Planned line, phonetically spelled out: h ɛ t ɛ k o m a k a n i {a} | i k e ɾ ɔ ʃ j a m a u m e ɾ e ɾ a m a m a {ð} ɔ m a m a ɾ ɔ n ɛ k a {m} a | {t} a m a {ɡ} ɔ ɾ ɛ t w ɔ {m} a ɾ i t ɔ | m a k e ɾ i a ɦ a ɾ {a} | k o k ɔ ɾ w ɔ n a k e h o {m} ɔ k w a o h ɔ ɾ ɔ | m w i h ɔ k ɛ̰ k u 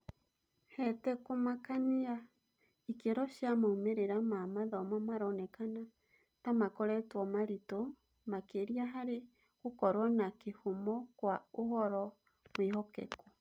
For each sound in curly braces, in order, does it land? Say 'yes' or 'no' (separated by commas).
yes, yes, no, yes, no, yes, no, yes